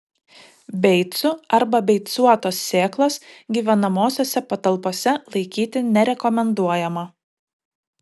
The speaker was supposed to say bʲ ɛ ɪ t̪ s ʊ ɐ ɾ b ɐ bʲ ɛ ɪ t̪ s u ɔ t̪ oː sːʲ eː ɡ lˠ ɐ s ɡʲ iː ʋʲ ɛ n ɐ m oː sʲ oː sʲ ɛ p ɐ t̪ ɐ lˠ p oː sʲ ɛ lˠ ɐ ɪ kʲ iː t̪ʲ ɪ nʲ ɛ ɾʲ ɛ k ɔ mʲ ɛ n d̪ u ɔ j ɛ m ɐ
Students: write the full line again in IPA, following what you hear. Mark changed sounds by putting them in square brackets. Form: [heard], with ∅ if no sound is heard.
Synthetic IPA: bʲ ɛ ɪ t̪ s ʊ ɐ ɾ b ɐ bʲ ɛ ɪ t̪ s u ɔ t̪ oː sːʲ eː [k] lˠ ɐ s ɡʲ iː ʋʲ ɛ n ɐ m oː sʲ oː sʲ ɛ p ɐ t̪ ɐ lˠ p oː sʲ ɛ lˠ ɐ ɪ kʲ iː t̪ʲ ɪ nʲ ɛ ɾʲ ɛ k ɔ mʲ ɛ n d̪ u ɔ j ɛ m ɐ